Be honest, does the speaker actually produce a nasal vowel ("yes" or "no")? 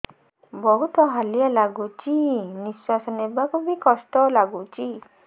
no